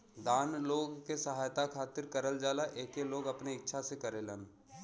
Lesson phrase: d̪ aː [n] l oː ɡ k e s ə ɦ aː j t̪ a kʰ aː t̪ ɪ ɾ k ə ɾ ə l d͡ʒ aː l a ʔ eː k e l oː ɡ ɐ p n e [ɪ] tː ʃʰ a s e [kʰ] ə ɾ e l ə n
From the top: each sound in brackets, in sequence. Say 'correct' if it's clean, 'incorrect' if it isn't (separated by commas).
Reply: correct, correct, incorrect